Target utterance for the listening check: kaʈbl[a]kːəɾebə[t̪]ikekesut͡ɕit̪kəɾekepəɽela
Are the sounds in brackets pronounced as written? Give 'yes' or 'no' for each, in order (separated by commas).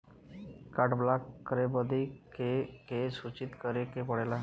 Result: yes, no